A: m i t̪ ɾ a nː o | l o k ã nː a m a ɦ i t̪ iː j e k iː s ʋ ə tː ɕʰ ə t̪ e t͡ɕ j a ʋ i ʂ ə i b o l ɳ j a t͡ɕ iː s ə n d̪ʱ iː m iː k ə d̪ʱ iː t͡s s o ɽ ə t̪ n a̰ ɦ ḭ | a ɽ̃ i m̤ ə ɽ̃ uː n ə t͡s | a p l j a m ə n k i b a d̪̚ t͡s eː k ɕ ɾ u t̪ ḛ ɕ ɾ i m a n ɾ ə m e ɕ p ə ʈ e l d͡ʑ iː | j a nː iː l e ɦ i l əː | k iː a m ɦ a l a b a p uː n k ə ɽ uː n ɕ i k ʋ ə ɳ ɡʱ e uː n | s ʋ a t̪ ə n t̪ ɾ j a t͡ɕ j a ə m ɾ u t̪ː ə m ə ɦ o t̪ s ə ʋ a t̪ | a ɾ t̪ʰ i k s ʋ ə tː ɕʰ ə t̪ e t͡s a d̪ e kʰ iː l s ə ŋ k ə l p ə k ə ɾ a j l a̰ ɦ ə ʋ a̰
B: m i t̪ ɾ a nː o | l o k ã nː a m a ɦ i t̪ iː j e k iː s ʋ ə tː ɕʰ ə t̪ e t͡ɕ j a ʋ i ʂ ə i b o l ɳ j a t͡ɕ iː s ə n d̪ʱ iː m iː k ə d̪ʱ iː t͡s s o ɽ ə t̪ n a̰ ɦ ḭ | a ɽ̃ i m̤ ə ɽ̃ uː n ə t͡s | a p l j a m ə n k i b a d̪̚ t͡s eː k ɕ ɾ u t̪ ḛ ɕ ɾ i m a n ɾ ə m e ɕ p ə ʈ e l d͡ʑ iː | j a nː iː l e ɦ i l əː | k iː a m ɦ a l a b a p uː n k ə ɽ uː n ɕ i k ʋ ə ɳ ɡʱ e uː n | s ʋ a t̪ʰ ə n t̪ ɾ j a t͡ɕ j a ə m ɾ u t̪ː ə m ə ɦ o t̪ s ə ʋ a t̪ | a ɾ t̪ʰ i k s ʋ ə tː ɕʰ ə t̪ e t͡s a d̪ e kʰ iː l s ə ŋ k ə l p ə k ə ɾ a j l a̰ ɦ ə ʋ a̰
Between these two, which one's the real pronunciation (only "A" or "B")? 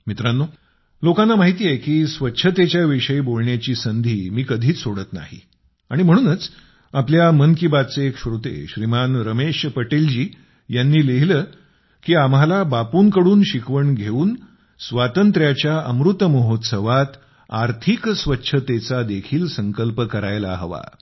A